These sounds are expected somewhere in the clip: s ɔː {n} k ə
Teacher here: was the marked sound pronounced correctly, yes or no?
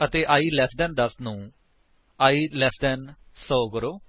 no